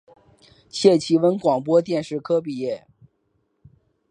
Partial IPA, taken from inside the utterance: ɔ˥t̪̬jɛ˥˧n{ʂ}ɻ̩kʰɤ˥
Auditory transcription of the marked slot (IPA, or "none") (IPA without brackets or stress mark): ʂ